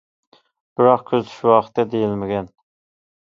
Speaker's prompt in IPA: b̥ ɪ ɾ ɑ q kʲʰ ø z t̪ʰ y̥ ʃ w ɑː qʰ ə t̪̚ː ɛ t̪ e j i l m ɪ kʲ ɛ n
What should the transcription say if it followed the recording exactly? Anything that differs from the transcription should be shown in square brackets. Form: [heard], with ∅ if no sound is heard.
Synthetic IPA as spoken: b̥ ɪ ɾ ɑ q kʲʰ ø z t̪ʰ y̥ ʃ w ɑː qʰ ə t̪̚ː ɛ [d̪] e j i l m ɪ [ɡʲ] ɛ n